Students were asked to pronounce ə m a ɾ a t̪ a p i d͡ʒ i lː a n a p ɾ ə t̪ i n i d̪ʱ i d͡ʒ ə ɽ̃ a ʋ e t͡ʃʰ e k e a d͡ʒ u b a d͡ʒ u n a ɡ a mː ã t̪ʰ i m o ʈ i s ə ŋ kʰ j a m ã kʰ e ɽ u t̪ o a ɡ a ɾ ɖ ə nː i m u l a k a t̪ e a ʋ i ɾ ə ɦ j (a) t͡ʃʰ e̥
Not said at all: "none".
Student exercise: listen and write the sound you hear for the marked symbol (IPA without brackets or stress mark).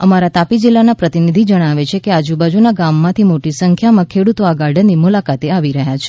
a